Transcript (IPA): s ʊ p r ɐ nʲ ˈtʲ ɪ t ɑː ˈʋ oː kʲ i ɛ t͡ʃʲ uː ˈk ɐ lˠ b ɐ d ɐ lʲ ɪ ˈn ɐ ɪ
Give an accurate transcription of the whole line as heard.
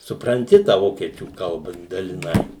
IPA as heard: s ʊ p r ɐ nʲ ˈtʲ ɪ t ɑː ˈʋ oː kʲ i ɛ t͡ʃʲ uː ˈk ɐ lˠ b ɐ d ɐ lʲ ɪ ˈn ɐ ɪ